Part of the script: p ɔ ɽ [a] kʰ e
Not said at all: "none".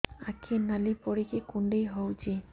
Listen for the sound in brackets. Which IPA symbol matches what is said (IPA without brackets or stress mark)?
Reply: i